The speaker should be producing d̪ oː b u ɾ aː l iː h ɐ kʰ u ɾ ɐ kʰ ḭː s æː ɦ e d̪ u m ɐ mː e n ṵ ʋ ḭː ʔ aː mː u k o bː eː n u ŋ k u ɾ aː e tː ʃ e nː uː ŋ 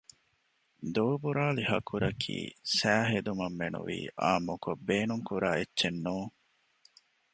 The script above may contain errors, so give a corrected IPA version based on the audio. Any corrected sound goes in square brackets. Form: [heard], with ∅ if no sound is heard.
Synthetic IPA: d̪ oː b u ɾ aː l [i] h ɐ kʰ u ɾ ɐ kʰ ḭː s æː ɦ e d̪ u m ɐ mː e n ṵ ʋ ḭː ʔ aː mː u k o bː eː n u ŋ k u ɾ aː e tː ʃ e nː uː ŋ